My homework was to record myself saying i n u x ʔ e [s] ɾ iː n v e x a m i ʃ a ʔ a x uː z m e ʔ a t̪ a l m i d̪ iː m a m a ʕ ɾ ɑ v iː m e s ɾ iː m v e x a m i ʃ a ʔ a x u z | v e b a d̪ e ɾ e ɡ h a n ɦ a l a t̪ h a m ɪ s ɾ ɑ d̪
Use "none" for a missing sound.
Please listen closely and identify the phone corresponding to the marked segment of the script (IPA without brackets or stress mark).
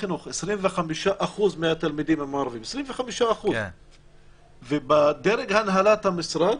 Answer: s